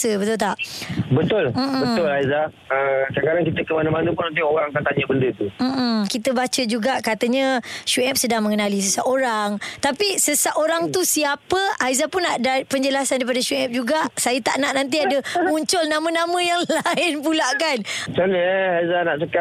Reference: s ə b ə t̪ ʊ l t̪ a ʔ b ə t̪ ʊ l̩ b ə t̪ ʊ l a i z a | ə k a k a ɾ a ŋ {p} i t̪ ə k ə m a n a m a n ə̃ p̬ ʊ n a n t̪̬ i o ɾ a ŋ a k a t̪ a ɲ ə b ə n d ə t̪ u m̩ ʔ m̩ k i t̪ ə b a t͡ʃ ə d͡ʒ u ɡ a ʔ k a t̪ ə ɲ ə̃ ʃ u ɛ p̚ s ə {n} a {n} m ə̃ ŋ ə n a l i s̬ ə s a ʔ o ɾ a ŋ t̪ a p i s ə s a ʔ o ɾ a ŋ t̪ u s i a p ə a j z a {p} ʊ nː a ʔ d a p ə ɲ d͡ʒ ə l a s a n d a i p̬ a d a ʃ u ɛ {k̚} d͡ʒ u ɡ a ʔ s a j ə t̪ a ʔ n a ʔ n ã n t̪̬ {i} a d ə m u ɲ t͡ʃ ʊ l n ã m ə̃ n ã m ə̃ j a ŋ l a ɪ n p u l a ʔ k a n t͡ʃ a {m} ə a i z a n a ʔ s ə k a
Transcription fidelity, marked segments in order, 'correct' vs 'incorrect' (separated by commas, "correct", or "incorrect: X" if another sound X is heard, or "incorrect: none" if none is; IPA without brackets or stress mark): incorrect: k, incorrect: d, incorrect: ŋ, correct, incorrect: p̚, correct, incorrect: n